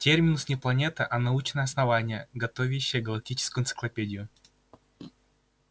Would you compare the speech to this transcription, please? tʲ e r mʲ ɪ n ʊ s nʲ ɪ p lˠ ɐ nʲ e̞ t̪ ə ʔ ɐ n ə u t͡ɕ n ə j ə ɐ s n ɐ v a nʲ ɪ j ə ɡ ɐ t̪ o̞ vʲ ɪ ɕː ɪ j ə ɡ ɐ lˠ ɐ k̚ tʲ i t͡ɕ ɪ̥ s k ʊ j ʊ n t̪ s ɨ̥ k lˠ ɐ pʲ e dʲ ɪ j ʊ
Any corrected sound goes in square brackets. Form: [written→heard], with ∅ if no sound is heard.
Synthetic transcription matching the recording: tʲ e r mʲ ɪ n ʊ s nʲ ɪ p lˠ ɐ nʲ e̞ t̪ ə ʔ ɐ n [ə→ɐ] u t͡ɕ n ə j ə ɐ s n ɐ v a nʲ ɪ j ə ɡ ɐ t̪ o̞ vʲ ɪ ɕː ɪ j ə ɡ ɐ lˠ ɐ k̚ tʲ i t͡ɕ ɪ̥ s k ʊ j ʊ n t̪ s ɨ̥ k lˠ ɐ pʲ e dʲ ɪ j ʊ